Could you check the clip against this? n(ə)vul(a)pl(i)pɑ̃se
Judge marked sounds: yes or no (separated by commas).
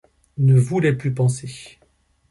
yes, no, no